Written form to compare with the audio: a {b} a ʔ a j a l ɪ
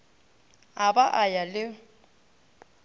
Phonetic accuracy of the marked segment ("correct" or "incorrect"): correct